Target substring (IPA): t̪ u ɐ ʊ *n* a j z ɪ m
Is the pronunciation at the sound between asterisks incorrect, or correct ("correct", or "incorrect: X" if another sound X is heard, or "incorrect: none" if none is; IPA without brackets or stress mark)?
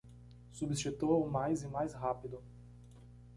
incorrect: m